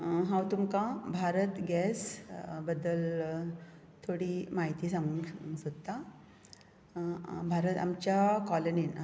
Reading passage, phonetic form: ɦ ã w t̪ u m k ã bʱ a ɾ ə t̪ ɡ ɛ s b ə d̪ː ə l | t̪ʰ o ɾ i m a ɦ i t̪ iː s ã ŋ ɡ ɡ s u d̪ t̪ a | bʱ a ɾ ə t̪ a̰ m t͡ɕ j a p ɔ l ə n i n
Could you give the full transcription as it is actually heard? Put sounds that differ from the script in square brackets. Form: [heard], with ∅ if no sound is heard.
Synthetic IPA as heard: ɦ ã w t̪ u m k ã bʱ a ɾ ə t̪ ɡ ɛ s b ə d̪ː ə l | t̪ʰ o [ɽ] i m a ɦ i t̪ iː s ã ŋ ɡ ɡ s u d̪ t̪ a | bʱ a ɾ ə t̪ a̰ m t͡ɕ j a [k] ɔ l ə n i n